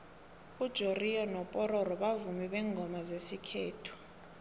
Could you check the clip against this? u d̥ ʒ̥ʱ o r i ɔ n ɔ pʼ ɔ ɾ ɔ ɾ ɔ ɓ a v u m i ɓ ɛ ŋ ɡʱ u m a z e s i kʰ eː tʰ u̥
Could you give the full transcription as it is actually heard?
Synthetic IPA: u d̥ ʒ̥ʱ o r i ɔ n ɔ pʼ ɔ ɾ ɔ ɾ ɔ ɓ a v u m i ɓ ɛ ŋ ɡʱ ɔ m a z e s i kʰ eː tʰ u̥